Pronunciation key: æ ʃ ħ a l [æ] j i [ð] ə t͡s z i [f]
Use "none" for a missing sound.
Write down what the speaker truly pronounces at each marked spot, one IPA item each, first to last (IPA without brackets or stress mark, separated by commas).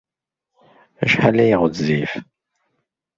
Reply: æ, ʁ, f